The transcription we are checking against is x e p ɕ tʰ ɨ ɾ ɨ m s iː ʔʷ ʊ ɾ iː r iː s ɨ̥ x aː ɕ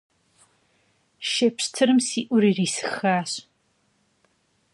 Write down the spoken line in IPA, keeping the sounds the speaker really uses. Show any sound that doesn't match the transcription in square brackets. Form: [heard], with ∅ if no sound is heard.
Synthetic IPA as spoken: [ʃ] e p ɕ tʰ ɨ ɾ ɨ m s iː ʔʷ ʊ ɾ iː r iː s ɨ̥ x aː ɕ

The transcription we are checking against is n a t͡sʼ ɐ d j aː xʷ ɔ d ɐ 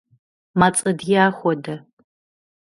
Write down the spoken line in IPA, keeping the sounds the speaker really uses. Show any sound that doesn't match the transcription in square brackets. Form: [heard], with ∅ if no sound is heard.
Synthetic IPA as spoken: [m] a t͡sʼ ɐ d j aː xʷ ɔ d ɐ

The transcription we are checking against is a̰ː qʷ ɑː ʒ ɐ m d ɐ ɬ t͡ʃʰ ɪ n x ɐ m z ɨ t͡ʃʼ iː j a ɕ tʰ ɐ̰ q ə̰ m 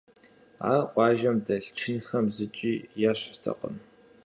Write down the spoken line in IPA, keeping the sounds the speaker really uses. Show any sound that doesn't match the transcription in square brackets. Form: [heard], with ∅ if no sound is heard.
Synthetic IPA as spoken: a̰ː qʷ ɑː ʒ ɐ m d ɐ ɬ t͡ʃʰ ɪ n x ɐ m z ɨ t͡ʃʼ iː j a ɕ tʰ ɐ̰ q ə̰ m

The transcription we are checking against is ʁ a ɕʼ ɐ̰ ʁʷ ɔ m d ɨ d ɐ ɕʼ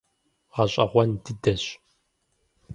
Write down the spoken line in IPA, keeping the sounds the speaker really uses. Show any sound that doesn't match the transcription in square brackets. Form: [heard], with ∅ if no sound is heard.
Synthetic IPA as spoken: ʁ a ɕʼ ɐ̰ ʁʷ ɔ [n] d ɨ d ɐ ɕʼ

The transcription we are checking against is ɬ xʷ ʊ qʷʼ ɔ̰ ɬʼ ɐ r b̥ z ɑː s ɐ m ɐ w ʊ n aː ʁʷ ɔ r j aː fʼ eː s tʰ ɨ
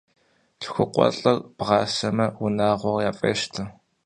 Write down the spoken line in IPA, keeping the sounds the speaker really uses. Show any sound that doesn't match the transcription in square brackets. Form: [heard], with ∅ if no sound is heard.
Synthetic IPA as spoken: ɬ xʷ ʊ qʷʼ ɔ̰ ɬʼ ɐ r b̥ [ʁ] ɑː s ɐ m ɐ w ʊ n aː ʁʷ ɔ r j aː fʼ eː [ʃ] tʰ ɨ

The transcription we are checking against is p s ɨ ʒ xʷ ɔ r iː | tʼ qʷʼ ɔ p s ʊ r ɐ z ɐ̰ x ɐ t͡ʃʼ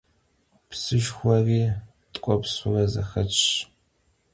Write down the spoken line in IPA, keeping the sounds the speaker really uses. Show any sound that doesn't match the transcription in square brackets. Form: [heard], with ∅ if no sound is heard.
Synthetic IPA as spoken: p s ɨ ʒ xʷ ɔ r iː | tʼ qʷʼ ɔ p s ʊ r ɐ z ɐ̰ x ɐ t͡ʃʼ

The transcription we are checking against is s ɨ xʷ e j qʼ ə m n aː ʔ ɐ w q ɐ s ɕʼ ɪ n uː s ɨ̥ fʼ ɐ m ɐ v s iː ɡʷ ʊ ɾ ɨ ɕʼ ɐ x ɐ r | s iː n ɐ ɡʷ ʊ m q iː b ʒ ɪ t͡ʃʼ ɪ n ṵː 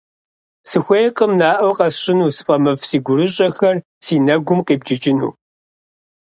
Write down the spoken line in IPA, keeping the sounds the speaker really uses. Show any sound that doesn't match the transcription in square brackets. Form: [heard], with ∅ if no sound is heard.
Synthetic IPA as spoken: s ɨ xʷ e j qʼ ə m n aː ʔ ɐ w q ɐ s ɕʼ ɪ n uː s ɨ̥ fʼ ɐ m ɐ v s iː ɡʷ ʊ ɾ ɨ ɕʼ ɐ x ɐ r | s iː n ɐ ɡʷ ʊ m q iː b [d͡ʒ] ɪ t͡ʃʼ ɪ n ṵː

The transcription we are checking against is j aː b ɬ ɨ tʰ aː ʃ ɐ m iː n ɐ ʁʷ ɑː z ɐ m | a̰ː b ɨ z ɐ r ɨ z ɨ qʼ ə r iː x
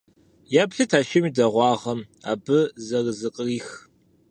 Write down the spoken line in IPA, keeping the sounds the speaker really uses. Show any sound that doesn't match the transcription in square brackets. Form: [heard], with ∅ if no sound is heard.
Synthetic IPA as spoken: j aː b ɬ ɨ tʰ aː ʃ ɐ m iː [d] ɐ ʁʷ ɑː [ʁ] ɐ m | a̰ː b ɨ z ɐ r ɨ z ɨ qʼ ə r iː x

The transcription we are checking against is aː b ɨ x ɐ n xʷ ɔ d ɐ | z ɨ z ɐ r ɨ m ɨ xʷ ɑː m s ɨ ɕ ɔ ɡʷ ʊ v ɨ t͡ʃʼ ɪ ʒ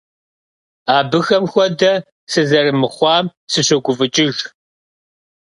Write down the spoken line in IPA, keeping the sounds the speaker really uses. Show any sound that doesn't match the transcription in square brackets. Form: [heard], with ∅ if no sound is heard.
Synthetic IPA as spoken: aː b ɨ x ɐ [m] xʷ ɔ d ɐ | [s] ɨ z ɐ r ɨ m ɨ [χʷ] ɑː m s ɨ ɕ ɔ ɡʷ ʊ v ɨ t͡ʃʼ ɪ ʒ

